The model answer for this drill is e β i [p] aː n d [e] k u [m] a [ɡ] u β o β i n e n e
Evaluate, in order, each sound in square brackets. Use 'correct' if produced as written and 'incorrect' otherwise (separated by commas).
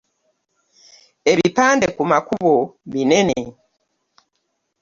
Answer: correct, correct, correct, incorrect